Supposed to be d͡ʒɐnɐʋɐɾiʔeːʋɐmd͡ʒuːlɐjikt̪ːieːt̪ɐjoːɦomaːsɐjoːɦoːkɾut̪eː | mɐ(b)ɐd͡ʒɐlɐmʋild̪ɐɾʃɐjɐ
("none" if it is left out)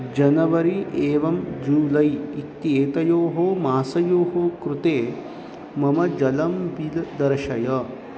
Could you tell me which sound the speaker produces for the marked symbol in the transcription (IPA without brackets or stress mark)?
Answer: m